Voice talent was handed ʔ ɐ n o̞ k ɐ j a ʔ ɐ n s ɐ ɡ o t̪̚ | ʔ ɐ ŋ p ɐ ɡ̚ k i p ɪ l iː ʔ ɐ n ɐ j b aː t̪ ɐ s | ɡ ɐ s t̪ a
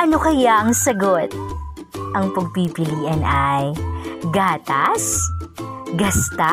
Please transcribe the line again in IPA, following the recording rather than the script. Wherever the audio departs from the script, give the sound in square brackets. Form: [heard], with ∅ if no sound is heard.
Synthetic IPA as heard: ʔ ɐ n o̞ k ɐ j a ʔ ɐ [ŋ] s ɐ ɡ o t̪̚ | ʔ ɐ ŋ p ɐ ɡ̚ [p] i p ɪ l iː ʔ ɐ n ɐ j [ɡ] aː t̪ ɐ s | ɡ ɐ s t̪ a